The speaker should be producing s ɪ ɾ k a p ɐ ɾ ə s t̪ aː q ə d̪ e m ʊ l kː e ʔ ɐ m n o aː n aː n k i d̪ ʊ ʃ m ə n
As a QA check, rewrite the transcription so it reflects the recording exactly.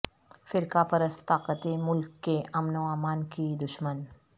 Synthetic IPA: f ɪ ɾ k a p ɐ ɾ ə s t̪ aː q ə t̪ e m ʊ l kː e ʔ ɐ m n o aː m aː n k i d̪ ʊ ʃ m ə n